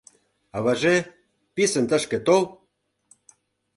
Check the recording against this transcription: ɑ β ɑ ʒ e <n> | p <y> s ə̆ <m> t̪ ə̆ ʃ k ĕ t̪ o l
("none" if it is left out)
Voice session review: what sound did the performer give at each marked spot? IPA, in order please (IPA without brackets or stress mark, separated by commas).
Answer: none, i, n